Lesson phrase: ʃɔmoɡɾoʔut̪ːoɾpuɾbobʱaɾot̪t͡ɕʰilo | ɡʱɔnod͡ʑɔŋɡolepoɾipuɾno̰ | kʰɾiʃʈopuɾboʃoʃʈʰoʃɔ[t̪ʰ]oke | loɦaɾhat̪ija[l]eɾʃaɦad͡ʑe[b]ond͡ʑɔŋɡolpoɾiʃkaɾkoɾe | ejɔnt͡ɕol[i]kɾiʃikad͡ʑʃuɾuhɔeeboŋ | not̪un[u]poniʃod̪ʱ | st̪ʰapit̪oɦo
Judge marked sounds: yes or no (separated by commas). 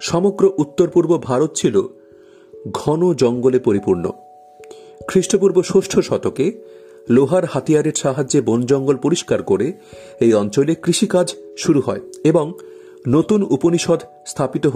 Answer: no, no, yes, no, yes